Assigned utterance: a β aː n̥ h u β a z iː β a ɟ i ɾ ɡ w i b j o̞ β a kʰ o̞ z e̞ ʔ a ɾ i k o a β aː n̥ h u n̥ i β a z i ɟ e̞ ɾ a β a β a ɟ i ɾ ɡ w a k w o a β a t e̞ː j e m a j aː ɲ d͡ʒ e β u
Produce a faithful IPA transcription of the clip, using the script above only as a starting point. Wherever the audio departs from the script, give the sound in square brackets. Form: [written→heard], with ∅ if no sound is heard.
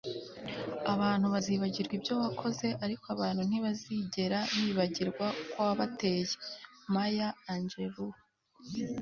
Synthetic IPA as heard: a β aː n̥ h u β a z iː β a ɟ i ɾ ɡ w i b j o̞ β a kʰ o̞ z e̞ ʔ a ɾ i k o a β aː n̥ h u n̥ i β a z i ɟ e̞ ɾ a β [a→i] β a ɟ i ɾ ɡ w a k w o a β a t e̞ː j e m a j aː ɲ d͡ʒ e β u